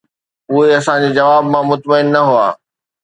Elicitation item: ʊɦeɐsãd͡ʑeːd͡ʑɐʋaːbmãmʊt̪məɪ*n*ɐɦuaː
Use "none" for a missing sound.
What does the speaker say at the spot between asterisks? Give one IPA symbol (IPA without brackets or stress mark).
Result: nː